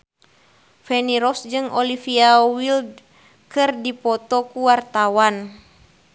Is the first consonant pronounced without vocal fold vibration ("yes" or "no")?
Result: yes